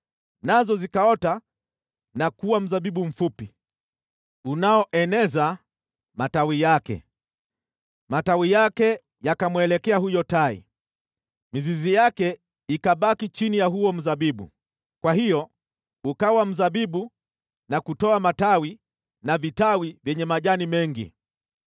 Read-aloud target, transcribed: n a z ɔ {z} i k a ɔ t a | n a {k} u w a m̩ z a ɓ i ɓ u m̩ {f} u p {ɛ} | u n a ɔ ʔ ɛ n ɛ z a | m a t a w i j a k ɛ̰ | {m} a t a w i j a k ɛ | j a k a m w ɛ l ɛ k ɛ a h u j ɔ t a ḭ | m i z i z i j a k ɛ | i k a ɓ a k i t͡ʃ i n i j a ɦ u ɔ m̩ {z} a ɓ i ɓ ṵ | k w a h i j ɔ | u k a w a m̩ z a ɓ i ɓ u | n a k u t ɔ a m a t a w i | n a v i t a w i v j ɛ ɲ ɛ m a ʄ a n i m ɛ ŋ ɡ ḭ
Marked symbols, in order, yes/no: yes, yes, yes, no, yes, yes

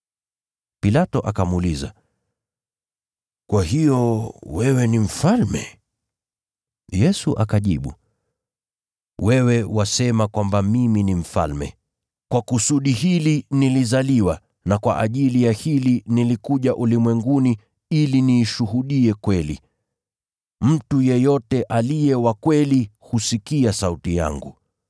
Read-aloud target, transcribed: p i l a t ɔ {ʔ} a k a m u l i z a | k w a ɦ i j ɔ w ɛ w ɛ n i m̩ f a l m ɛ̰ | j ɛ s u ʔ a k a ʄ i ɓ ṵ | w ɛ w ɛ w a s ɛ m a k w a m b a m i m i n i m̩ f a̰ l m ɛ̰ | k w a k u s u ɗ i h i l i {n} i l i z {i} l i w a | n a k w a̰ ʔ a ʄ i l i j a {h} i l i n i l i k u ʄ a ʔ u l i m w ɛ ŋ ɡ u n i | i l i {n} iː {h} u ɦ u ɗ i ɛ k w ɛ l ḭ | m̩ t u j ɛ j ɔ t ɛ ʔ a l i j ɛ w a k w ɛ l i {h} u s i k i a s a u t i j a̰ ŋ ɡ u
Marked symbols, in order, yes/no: yes, yes, no, yes, yes, no, yes

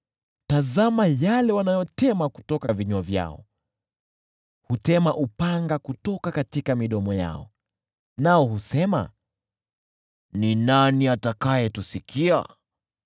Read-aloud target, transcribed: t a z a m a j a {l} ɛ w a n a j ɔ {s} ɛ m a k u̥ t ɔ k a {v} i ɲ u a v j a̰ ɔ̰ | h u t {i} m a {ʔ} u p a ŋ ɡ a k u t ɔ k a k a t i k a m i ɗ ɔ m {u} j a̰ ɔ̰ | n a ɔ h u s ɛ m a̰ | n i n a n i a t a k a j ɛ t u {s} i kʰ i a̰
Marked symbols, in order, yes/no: yes, no, yes, no, yes, no, yes

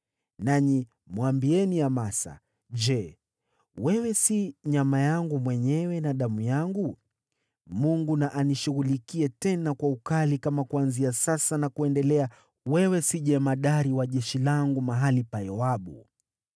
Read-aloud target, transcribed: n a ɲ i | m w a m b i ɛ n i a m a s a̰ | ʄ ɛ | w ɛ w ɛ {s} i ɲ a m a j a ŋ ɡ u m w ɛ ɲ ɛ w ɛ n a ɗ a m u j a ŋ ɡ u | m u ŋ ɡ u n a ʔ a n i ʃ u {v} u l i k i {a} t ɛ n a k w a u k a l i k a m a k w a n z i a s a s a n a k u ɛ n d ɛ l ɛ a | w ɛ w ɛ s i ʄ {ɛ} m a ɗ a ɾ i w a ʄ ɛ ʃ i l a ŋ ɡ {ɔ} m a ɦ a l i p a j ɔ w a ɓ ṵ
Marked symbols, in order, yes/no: yes, no, no, yes, no

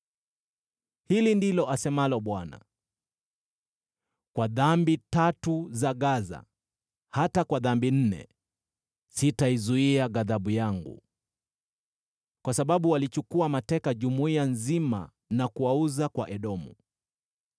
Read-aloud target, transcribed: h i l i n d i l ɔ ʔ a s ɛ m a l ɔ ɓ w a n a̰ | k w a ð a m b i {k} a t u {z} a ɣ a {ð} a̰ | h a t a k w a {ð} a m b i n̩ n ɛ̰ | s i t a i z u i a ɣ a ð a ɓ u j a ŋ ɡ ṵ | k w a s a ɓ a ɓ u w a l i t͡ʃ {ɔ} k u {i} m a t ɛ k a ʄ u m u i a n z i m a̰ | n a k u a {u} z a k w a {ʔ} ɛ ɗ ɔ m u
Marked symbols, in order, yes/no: no, yes, no, yes, no, no, yes, yes

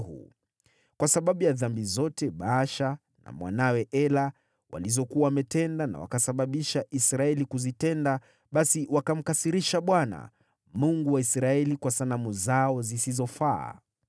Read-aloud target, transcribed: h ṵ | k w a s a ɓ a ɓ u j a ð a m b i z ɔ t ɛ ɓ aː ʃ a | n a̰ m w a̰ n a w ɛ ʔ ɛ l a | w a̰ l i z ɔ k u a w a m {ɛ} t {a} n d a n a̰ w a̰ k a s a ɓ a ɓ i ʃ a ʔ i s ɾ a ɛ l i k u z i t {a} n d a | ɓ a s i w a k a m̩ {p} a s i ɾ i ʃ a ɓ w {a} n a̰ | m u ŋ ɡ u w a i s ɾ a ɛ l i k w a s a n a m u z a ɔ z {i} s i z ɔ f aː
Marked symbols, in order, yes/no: yes, no, no, no, yes, yes

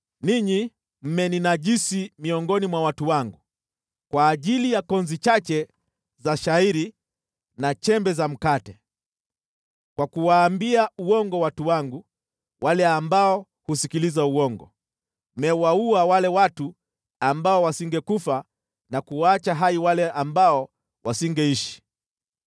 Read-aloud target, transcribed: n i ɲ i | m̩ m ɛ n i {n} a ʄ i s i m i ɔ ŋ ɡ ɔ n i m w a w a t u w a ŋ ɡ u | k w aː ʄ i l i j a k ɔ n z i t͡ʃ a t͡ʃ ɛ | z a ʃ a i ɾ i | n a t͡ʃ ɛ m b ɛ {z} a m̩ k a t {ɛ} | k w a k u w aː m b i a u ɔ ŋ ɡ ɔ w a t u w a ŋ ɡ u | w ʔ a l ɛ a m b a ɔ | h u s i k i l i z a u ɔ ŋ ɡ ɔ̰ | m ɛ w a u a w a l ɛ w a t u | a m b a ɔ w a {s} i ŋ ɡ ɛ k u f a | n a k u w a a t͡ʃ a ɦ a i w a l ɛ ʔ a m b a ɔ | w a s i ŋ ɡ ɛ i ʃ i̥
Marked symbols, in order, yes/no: yes, yes, yes, yes

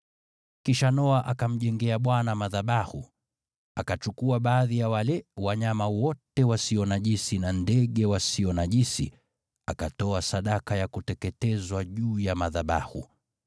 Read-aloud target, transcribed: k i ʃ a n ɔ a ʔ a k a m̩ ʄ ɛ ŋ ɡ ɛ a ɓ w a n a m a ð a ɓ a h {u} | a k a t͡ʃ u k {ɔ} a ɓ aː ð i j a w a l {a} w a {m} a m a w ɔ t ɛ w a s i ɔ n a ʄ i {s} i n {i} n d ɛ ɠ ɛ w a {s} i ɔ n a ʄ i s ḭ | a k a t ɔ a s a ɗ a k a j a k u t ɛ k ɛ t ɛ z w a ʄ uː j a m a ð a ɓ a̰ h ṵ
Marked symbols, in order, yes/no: yes, no, no, no, yes, no, yes

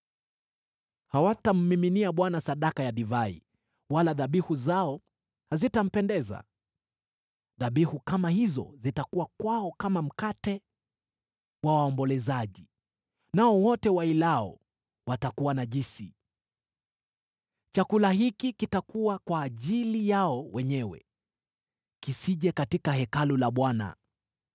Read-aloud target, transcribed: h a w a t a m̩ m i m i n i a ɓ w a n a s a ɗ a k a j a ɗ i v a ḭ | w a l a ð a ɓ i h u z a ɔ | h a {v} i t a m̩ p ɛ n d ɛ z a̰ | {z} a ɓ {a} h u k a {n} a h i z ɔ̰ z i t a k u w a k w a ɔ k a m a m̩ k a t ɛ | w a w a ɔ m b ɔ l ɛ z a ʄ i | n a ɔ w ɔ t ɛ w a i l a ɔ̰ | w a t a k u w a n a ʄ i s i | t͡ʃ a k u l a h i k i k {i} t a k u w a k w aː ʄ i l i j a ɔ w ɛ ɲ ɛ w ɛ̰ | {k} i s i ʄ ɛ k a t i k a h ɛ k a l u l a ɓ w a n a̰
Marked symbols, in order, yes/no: no, no, no, no, yes, yes

